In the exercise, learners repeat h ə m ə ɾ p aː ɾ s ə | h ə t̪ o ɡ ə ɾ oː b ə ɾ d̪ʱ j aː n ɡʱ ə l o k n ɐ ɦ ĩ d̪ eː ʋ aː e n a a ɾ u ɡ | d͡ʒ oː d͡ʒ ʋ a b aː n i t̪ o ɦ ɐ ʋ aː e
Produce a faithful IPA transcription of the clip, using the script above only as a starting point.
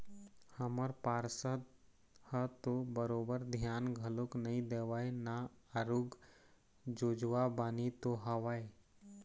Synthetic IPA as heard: h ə m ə ɾ p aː ɾ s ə | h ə t̪ o b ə ɾ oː b ə ɾ d̪ʱ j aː n ɡʱ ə l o k n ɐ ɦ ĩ d̪ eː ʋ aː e n a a ɾ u ɡ | d͡ʒ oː d͡ʒ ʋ a b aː n i t̪ o ɦ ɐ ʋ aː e